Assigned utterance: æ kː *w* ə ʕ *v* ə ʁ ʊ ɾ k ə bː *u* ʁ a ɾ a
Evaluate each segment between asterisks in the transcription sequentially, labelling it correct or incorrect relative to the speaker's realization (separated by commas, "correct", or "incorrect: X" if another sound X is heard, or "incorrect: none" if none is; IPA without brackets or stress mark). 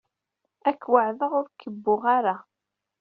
correct, incorrect: ð, incorrect: ʊ